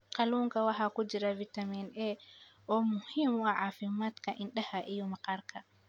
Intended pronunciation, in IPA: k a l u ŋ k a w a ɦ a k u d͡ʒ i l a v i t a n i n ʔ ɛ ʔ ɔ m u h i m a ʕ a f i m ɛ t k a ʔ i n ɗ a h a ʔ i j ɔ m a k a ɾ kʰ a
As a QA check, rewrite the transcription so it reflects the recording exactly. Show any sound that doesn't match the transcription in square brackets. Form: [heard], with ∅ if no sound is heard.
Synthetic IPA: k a l u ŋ k a w a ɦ a k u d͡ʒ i [ɾ] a v i t a [m] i n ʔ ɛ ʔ ɔ m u h i m a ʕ a f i m [a] t k a ʔ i n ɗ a h a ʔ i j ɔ m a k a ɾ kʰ a